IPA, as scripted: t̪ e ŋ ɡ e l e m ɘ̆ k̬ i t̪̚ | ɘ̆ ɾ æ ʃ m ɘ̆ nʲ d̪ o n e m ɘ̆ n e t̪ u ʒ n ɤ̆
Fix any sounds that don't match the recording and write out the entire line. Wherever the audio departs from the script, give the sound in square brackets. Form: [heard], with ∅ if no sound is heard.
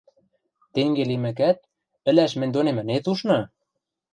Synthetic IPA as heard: t̪ e ŋ ɡ e l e m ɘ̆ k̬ [æ] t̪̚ | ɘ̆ [l] æ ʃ m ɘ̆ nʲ d̪ o n e m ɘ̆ n e t̪ u [ʃ] n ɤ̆